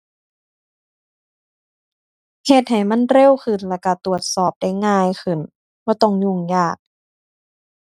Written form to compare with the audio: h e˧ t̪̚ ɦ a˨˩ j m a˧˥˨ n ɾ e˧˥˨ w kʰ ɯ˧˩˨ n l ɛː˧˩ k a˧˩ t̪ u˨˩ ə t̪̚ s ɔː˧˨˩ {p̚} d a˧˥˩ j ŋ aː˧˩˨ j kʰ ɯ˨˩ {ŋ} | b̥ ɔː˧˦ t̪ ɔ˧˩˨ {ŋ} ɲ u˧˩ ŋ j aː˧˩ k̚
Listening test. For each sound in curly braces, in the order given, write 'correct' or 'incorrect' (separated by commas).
correct, incorrect, correct